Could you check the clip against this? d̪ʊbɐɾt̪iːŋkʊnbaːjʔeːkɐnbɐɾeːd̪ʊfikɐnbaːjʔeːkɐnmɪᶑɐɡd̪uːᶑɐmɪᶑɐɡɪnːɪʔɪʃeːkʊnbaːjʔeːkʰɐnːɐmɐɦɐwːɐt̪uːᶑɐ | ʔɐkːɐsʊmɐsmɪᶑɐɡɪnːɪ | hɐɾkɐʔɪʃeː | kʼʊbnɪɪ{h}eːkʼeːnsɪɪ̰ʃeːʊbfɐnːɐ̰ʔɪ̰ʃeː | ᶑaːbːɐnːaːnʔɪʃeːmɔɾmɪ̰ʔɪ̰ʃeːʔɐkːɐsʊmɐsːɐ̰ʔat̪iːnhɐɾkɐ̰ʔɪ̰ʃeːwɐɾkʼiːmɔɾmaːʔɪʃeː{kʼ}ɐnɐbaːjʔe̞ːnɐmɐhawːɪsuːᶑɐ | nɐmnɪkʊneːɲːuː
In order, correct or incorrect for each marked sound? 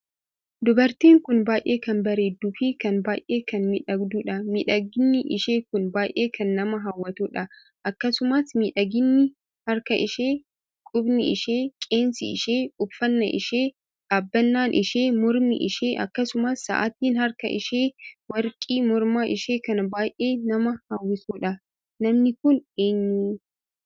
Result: incorrect, incorrect

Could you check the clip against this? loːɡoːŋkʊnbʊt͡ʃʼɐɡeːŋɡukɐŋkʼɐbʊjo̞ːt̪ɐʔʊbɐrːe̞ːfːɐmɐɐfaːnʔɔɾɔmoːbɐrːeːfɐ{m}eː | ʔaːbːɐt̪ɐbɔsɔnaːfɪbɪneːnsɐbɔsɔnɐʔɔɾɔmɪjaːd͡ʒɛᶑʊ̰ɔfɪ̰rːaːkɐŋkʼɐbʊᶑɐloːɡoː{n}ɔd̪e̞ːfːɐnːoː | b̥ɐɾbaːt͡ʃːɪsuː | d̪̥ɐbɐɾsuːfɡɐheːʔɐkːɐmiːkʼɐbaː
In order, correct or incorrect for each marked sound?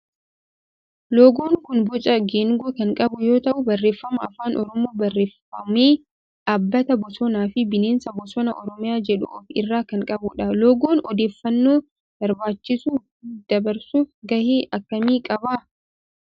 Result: correct, correct

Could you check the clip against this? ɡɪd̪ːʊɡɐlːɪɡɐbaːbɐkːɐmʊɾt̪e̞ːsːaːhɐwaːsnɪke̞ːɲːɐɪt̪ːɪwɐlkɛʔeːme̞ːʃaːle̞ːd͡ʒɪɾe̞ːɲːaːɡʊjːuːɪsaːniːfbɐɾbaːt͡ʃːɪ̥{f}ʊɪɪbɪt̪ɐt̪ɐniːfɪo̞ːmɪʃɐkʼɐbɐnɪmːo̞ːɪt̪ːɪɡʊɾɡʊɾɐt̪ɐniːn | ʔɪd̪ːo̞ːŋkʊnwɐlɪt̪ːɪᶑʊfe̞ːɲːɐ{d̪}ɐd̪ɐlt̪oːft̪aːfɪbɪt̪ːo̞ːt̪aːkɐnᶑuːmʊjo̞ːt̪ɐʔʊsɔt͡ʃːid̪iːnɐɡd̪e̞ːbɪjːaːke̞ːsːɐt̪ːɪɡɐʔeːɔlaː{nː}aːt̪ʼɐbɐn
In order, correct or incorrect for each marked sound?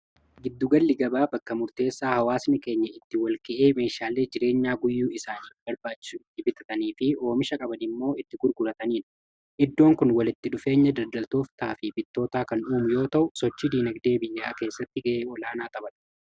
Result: incorrect, correct, incorrect

